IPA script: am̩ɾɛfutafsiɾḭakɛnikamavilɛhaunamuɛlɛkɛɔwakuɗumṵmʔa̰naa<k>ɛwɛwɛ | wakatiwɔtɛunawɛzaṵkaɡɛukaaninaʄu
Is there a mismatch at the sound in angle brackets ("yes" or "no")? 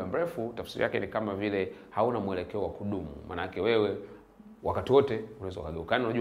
no